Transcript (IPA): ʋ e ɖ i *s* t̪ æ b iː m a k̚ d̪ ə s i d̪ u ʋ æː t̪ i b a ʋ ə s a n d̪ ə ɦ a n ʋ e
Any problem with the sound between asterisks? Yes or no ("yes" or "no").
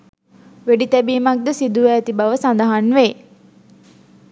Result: yes